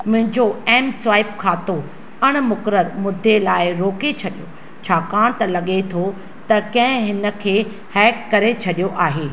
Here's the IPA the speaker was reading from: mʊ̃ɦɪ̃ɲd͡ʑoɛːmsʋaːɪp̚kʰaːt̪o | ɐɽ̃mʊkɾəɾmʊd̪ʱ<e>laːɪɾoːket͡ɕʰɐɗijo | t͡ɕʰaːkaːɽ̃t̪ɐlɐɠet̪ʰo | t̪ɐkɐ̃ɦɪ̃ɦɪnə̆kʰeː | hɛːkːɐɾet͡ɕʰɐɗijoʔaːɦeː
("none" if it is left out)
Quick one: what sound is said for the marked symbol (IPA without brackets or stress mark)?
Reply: e